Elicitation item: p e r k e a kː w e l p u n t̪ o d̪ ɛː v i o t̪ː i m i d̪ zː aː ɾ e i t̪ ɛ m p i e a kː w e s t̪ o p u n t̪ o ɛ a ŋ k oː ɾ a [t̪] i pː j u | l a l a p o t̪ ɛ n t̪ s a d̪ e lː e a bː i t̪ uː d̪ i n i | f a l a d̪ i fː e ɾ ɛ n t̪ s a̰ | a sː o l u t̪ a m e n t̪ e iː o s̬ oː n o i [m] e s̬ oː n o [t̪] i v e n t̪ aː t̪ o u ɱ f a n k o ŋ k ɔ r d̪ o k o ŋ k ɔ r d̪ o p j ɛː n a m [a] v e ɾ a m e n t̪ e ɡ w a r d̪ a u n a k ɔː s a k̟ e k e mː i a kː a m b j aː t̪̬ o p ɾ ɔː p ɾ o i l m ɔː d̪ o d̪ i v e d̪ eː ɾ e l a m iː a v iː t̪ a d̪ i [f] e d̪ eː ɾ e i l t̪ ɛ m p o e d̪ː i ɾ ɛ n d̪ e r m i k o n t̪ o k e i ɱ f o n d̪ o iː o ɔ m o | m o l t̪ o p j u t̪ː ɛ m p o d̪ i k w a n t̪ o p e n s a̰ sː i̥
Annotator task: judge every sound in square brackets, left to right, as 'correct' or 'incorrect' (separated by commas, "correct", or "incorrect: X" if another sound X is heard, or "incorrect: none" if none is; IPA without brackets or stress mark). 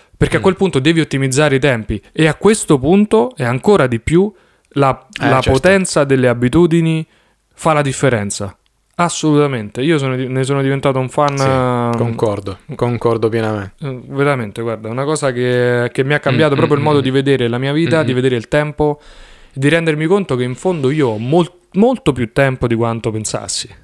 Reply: incorrect: d̪, incorrect: n, incorrect: d̪, incorrect: e, incorrect: v